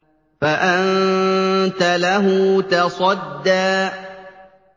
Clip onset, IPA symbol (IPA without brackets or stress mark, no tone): f